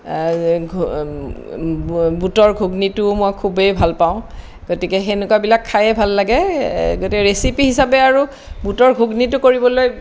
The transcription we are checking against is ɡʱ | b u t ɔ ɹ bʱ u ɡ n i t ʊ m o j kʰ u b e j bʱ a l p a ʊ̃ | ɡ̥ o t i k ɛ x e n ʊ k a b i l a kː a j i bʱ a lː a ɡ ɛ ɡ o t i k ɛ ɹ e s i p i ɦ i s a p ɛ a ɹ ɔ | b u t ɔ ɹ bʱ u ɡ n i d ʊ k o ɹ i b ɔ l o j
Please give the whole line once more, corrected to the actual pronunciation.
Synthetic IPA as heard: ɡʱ | b u t ɔ ɹ ɡʱ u ɡ n i t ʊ m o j kʰ u b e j bʱ a l p a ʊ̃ | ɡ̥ o t i k ɛ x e n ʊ k a b i l a kʰː a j ɛ bʱ a lː a ɡ ɛ ɡ o t i k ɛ ɹ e s i p i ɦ i s a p ɛ a ɹ u | b u t ɔ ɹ ɡʱ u ɡ n i t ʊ k o ɹ i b ɔ l o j